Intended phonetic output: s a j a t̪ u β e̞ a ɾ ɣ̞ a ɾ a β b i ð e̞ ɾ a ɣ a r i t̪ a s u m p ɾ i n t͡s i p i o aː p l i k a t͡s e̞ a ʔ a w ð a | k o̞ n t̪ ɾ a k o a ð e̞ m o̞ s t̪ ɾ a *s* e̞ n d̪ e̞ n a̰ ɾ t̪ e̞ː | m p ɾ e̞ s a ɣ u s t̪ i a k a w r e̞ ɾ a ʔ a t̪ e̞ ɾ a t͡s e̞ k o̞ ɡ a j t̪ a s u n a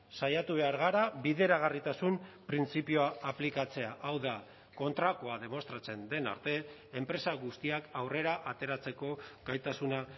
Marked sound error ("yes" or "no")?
yes